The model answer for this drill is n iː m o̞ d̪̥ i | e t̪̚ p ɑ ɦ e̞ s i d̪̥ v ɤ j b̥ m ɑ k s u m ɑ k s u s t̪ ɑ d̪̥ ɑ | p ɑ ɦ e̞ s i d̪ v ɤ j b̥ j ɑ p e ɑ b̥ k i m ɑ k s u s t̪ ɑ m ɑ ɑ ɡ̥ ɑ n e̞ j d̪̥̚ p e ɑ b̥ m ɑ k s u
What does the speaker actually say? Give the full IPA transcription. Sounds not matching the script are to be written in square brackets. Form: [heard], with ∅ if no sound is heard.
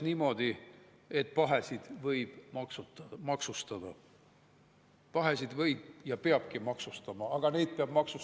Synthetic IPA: n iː m o̞ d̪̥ i | e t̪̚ p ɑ ɦ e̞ s i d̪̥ v ɤ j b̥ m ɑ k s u m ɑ k s u s t̪ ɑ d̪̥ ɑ | p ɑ ɦ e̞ s i d̪ v ɤ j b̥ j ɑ p e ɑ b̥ k i m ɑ k s u s t̪ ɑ m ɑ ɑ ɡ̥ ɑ n e̞ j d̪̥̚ p e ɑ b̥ m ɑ k s u